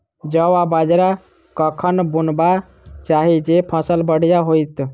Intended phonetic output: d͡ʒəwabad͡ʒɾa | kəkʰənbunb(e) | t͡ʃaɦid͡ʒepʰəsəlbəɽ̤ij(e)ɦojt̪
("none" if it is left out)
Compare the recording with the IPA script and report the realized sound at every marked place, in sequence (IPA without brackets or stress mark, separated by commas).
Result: a, a